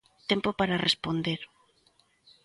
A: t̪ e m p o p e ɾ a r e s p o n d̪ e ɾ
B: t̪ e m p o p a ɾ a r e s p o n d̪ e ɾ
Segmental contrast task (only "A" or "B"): B